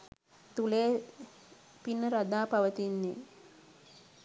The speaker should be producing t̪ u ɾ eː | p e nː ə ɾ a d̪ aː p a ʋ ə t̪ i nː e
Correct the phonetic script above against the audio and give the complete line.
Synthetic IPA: t̪ u l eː | p i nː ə ɾ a d̪ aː p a ʋ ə t̪ i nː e